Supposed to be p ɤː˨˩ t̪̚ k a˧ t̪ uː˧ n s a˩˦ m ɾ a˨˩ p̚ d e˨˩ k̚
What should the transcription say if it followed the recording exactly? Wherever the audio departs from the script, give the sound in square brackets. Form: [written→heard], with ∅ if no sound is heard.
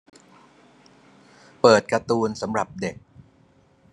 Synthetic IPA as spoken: p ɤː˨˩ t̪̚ k a˧ t̪ uː˧ n s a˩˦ m ɾ a˨˩ p̚ d e˨˩ k̚